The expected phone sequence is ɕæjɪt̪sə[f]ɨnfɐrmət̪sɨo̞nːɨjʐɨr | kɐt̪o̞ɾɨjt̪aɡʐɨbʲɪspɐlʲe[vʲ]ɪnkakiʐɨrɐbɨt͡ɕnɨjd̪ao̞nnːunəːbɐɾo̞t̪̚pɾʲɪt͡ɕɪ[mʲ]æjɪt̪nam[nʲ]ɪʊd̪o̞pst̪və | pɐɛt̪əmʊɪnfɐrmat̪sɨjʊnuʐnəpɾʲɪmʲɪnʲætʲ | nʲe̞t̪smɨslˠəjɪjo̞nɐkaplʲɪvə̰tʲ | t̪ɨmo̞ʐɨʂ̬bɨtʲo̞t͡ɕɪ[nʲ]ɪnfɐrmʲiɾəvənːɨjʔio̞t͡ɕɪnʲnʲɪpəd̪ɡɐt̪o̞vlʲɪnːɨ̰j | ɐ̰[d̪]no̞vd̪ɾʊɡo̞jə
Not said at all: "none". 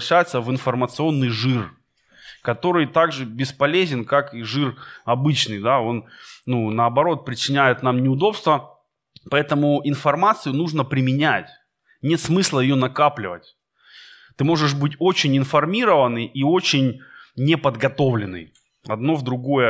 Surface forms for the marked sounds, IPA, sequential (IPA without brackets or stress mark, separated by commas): v, zʲ, nʲ, nʲ, nʲ, d̪